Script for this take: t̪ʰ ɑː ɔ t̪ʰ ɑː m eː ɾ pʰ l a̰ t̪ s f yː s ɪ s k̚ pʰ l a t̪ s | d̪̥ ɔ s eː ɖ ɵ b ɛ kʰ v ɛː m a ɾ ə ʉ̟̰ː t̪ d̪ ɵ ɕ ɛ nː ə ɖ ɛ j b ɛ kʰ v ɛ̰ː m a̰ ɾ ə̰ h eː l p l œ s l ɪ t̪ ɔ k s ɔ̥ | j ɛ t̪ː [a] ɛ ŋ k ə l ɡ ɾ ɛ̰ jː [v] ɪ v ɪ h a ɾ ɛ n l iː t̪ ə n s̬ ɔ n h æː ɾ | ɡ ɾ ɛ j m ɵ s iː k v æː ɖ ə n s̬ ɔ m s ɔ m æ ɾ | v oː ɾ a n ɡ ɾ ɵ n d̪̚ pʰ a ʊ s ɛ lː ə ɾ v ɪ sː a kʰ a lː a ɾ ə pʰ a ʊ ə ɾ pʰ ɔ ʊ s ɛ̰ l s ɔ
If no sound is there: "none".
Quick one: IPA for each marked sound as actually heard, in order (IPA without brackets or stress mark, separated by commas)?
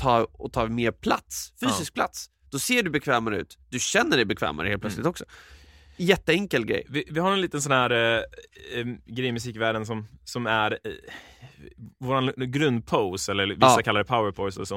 ə, v